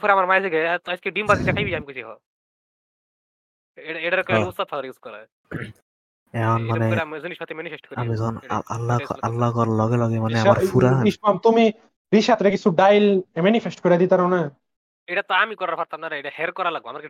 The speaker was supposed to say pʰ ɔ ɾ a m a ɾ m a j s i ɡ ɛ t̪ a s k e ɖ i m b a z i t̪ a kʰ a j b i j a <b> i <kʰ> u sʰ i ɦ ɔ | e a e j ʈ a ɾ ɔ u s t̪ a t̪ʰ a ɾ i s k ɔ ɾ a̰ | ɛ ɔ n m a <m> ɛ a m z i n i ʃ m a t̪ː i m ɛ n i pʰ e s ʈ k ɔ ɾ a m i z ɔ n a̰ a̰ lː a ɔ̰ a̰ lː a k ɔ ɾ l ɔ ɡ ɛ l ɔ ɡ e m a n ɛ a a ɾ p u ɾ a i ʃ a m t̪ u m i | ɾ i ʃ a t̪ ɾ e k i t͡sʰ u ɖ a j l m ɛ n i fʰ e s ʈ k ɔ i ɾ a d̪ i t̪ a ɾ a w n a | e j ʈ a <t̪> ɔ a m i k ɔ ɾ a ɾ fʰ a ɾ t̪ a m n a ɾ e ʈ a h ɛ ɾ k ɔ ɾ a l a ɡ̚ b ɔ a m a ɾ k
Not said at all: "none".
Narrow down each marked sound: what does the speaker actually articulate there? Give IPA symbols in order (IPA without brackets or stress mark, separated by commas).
m, k, n, t̪